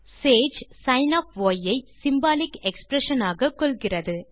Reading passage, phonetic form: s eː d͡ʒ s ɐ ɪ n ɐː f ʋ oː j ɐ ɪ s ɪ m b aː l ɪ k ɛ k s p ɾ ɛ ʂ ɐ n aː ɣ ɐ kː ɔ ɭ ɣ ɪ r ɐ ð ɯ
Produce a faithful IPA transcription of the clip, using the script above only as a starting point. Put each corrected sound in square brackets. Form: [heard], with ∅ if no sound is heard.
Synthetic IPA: s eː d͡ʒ s ɐ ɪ n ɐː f ʋ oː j ɐ ɪ s ɪ m b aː l ɪ k ɛ k s p ɾ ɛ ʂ ɐ n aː ɣ ɐ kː ɔ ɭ ɣ ɪ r ɐ ð ɯ